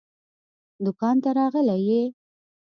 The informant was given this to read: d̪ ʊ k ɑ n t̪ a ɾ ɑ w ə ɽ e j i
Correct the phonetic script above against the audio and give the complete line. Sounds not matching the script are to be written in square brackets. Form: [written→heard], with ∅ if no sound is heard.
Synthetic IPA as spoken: d̪ ʊ k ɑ n t̪ a ɾ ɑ [w→ɣ] ə [ɽ→l] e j [i→e]